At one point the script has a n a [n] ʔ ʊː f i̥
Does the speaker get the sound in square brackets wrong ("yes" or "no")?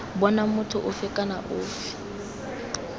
yes